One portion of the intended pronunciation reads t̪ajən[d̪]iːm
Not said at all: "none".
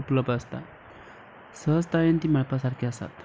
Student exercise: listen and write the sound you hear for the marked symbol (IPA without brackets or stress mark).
t̪